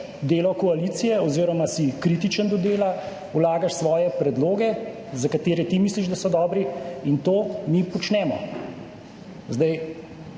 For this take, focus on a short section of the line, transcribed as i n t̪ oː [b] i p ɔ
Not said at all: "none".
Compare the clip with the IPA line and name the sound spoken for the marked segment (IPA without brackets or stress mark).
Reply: m